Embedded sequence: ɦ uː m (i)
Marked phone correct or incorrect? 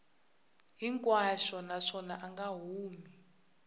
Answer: correct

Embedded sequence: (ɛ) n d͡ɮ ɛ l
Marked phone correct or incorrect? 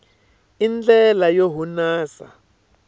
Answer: incorrect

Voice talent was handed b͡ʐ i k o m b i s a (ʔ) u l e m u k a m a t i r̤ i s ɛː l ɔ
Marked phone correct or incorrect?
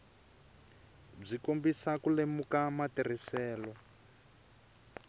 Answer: incorrect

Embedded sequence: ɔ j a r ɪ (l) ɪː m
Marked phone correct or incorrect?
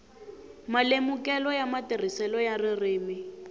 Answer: incorrect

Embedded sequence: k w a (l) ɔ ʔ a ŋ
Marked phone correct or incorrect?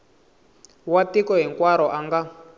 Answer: incorrect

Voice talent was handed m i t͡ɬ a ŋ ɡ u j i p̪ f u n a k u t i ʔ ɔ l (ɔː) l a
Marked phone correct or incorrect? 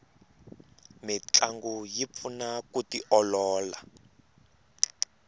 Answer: correct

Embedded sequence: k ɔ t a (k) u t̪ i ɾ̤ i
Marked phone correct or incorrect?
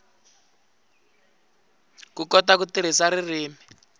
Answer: correct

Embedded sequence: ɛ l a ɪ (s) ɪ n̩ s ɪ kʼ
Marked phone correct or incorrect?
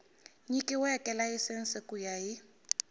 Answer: correct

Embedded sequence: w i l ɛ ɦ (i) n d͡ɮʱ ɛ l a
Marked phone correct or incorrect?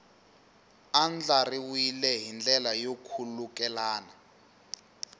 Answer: correct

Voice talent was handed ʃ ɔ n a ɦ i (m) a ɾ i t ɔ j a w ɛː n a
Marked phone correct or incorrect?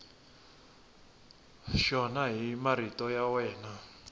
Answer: correct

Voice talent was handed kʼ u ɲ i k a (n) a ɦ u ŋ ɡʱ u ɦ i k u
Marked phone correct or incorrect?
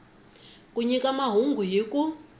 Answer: incorrect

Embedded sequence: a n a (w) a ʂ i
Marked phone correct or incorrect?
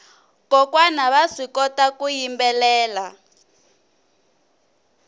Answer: incorrect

